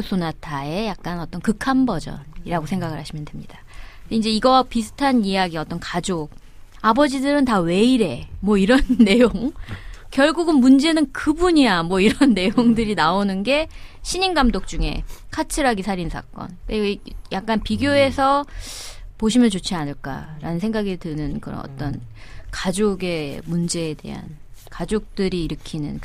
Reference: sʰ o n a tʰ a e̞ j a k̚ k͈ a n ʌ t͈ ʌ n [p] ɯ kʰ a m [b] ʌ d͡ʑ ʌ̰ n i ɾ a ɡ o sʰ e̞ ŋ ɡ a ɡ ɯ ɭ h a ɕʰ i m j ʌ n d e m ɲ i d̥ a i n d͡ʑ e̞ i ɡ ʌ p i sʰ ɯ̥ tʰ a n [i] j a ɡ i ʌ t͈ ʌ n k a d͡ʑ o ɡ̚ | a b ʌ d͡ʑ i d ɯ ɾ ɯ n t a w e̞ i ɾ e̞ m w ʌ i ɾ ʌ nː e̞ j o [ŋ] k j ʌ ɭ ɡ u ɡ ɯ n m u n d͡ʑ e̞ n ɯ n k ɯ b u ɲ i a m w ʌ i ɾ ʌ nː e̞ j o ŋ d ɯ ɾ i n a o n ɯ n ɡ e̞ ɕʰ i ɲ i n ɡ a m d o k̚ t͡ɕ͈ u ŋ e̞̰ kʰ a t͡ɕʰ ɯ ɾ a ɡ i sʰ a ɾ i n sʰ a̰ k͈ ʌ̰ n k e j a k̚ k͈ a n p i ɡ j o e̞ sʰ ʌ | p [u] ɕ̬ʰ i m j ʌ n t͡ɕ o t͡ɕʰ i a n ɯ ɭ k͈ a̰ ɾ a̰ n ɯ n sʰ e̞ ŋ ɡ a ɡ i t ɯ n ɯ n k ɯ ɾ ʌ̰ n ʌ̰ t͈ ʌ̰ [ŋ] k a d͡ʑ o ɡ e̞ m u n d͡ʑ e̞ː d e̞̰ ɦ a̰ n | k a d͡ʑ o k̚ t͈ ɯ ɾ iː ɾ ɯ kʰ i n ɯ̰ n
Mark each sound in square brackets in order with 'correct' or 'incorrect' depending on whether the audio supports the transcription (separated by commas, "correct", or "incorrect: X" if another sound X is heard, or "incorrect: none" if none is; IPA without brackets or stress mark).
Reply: incorrect: k, correct, correct, correct, incorrect: o, incorrect: n